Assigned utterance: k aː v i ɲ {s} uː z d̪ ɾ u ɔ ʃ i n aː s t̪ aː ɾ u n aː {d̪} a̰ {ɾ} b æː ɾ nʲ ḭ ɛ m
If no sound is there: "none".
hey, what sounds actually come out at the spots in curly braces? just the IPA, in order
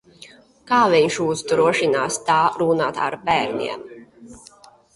ʃ, t̪, ɾ

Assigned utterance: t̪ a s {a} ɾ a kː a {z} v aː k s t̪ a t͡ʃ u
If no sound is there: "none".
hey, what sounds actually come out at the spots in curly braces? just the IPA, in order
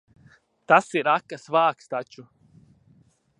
i, s

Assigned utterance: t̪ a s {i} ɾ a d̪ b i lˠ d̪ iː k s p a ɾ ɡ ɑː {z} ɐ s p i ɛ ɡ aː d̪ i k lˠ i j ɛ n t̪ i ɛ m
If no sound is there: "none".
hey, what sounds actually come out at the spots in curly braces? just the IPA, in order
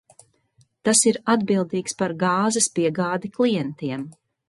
i, z

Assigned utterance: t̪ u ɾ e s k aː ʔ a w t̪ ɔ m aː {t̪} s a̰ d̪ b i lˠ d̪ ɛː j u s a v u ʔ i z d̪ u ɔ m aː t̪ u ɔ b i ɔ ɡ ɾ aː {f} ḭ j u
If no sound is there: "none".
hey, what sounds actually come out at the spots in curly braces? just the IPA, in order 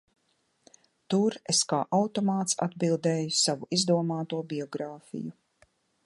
t̪, f

